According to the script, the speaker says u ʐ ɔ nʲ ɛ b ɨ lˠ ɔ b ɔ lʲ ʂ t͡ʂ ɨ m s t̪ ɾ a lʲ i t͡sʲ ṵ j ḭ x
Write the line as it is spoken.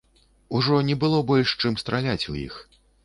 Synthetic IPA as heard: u ʐ ɔ nʲ ɛ b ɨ lˠ ɔ b ɔ lʲ ʂ t͡ʂ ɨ m s t̪ ɾ a lʲ a t͡sʲ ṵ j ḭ x